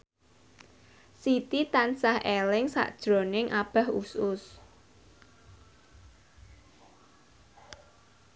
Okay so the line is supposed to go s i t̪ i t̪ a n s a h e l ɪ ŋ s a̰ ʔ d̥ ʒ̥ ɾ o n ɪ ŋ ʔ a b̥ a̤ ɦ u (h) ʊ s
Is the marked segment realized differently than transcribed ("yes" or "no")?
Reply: yes